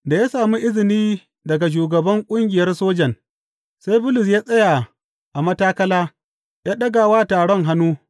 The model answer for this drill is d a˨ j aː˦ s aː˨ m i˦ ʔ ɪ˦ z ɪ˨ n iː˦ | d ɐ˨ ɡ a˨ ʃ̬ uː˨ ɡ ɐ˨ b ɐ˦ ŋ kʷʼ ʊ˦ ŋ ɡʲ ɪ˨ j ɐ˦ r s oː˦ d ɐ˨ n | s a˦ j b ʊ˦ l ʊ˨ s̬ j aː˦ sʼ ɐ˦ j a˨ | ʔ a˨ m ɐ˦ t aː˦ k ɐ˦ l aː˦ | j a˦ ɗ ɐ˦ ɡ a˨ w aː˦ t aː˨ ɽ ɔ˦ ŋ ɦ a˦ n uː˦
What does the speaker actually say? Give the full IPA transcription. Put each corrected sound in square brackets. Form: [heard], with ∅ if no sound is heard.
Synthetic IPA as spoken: d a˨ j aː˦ s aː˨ m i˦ ʔ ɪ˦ z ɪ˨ n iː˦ | d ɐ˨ ɡ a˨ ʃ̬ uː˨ ɡ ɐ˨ b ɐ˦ ŋ kʷʼ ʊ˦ ŋ ɡʲ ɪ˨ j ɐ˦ r s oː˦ [d͡ʒ] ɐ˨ n | s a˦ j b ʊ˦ l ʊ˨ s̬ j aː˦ sʼ ɐ˦ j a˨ | ʔ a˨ m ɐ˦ t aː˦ k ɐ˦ l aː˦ | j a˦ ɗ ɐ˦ ɡ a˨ w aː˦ t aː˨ ɽ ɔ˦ ŋ ɦ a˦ n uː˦